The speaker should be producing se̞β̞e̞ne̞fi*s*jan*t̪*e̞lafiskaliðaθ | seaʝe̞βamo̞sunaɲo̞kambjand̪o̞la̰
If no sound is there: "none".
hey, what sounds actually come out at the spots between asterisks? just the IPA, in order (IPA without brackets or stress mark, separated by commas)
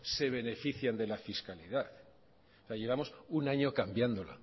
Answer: θ, d̪